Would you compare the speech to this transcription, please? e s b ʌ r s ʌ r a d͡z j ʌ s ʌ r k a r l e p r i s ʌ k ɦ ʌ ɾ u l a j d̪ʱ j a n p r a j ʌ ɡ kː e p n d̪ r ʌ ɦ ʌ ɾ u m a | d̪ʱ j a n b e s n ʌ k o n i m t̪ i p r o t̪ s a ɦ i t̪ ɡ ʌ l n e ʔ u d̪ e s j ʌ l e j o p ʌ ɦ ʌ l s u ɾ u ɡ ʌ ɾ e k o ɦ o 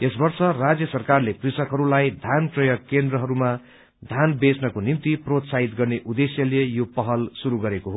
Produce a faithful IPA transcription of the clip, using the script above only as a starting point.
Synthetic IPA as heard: e s b ʌ r s ʌ r a d͡z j ʌ s ʌ r k a r l e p r i s ʌ k ɦ ʌ ɾ u l a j d̪ʱ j a n p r ʌ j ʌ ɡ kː e n d̪ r ʌ ɦ ʌ ɾ u m a | d̪ʱ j a n b e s n ʌ k o n i m t̪ i p r o t̪ s a ɦ i t̪ ɡ ʌ r n e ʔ u d̪ e s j ʌ l e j o p ʌ ɦ ʌ l s u ɾ u ɡ ʌ ɾ e k o ɦ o

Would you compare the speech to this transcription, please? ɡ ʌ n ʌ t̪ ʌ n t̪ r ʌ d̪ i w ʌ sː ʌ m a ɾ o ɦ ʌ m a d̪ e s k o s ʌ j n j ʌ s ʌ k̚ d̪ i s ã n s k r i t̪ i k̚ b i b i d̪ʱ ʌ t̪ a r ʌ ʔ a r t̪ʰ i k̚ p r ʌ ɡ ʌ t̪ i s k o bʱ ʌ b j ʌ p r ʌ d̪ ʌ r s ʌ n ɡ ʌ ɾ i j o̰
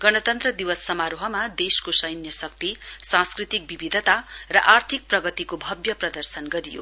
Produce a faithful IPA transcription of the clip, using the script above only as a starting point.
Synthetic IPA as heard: ɡ ʌ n ʌ t̪ ʌ n t̪ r ʌ d̪ i w ʌ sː ʌ m a ɾ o ɦ ʌ m a d̪ e s k o s ʌ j n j ʌ s ʌ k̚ t̪ i s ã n s k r i t̪ i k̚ b i b i d̪ʱ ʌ t̪ a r ʌ ʔ a r t̪ʰ i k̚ p r ʌ ɡ ʌ t̪ i k o bʱ ʌ b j ʌ p r ʌ d̪ ʌ r s ʌ n ɡ ʌ ɾ i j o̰

